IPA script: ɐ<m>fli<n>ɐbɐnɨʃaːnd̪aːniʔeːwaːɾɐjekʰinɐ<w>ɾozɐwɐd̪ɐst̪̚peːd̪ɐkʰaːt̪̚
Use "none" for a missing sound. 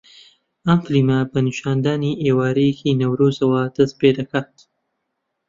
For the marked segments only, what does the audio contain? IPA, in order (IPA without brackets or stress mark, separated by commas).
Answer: m, m, w